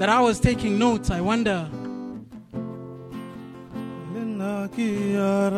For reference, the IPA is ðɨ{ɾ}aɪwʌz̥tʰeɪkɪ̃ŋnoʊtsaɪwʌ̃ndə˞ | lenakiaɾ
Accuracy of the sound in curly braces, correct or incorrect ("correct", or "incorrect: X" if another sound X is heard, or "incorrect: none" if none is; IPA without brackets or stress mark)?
correct